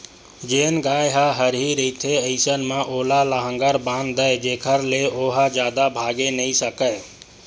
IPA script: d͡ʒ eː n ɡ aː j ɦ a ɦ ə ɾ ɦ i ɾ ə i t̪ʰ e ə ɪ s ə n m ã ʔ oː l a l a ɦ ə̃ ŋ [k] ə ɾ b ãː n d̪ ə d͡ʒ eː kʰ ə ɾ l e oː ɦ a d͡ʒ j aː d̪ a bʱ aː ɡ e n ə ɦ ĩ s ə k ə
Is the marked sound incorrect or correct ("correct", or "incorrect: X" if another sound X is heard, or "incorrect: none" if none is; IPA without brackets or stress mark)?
incorrect: ɡ